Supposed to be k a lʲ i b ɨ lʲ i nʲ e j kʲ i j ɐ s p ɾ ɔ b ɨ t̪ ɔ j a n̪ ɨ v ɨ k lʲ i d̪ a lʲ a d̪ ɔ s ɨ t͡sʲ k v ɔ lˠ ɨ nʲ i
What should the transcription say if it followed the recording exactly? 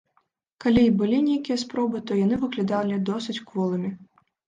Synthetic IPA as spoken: k a lʲ i b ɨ lʲ i nʲ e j kʲ i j ɐ s p ɾ ɔ b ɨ t̪ ɔ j a n̪ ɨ v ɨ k lʲ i d̪ a lʲ i d̪ ɔ s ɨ t͡sʲ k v ɔ lˠ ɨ mʲ i